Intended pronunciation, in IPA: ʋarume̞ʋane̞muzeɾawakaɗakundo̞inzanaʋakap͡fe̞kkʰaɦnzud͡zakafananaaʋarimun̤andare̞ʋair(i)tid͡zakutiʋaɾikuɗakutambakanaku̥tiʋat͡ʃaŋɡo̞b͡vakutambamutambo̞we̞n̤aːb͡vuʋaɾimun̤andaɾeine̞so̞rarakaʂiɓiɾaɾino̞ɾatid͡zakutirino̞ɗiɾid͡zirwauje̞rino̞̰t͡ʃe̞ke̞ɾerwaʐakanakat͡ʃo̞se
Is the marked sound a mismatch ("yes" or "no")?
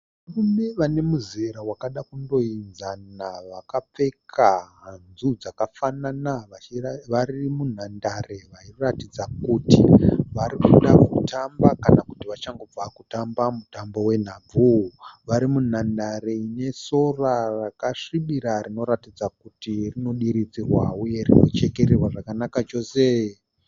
yes